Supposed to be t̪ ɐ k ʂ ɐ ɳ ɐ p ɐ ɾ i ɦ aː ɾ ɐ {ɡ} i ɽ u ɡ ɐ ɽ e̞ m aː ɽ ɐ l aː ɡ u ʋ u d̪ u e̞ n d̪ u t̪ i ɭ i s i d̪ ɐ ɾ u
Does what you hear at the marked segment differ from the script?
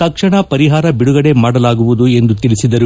yes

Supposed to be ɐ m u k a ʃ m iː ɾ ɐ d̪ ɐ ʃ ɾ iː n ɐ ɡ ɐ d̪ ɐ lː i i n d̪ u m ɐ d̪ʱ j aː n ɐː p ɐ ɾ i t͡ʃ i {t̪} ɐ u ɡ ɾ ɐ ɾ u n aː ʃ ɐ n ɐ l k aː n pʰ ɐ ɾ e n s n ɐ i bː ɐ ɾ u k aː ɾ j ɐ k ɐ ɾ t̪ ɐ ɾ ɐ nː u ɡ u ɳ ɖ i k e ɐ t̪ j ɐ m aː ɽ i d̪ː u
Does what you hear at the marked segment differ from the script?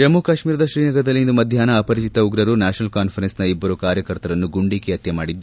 no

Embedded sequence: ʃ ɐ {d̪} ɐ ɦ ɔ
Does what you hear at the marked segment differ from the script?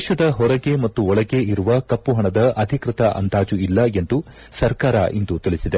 no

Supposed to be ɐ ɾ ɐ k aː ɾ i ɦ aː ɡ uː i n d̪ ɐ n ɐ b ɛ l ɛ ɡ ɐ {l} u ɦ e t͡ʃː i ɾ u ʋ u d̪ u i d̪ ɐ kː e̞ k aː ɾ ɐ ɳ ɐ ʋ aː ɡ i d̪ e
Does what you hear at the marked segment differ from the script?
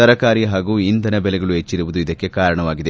yes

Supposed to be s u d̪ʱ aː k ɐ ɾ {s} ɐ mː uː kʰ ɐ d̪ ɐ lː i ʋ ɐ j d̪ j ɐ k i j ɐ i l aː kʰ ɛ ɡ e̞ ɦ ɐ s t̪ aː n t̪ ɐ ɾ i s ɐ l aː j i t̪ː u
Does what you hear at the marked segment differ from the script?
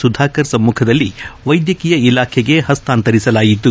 no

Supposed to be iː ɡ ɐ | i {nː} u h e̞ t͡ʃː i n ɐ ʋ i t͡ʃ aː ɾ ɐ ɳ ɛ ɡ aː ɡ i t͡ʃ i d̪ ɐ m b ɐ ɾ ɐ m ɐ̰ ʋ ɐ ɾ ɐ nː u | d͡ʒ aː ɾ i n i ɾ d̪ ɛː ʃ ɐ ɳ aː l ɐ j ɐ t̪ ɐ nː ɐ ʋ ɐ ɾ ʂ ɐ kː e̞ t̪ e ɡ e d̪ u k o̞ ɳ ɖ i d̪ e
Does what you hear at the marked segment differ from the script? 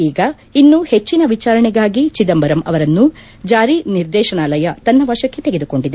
no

